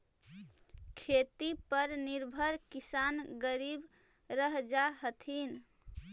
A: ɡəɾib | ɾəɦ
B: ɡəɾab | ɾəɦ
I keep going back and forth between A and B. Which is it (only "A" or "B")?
A